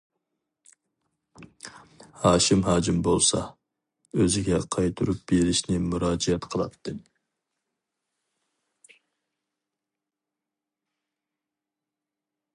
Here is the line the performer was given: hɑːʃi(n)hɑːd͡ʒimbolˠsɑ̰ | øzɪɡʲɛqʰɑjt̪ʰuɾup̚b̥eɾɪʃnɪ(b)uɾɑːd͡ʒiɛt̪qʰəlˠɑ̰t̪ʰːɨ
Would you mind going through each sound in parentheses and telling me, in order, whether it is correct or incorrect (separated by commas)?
incorrect, incorrect